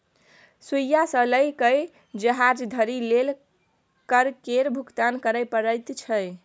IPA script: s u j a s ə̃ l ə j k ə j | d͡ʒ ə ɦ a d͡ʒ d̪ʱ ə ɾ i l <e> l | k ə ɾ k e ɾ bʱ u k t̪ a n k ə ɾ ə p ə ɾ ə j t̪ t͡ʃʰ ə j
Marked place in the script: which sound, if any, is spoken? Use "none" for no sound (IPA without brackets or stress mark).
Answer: e